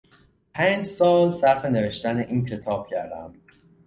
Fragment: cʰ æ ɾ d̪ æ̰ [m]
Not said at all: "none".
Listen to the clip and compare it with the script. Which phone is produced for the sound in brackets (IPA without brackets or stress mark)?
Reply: m